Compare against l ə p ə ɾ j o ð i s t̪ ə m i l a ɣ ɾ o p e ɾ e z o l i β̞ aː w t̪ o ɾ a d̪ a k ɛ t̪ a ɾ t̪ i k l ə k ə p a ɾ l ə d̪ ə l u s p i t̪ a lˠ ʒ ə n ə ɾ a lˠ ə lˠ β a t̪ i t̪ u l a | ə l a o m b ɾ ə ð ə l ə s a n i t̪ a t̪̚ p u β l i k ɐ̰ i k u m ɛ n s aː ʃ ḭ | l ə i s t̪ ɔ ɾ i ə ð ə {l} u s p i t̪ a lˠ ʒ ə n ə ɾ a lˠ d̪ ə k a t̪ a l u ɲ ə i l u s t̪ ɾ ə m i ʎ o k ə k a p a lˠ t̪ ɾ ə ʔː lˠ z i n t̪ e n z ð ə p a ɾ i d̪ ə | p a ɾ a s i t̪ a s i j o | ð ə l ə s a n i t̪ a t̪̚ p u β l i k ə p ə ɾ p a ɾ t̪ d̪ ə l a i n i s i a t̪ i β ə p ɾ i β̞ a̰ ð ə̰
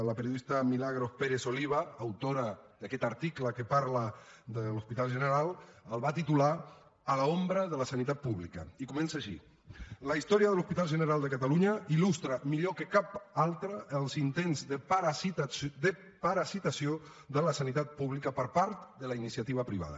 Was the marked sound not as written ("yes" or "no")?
no